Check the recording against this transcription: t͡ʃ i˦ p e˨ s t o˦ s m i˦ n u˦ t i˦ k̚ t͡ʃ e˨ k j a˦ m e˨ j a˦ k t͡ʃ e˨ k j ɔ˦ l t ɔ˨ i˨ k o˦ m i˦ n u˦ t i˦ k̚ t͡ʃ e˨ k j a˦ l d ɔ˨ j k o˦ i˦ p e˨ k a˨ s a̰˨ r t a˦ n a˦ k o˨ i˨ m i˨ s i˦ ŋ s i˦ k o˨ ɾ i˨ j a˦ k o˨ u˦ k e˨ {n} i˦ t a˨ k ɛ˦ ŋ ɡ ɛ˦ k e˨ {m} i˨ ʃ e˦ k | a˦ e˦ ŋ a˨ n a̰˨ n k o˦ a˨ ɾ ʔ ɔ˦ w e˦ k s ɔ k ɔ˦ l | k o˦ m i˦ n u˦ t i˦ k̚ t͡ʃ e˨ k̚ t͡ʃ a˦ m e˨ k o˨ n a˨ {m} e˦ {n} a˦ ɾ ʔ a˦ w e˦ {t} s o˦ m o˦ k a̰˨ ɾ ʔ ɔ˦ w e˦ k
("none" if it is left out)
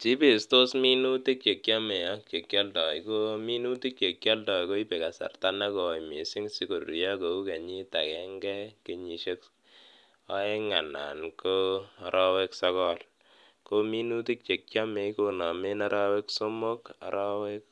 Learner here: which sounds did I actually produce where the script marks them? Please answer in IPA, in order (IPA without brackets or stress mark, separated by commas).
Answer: ɲ, ɲ, m, n, k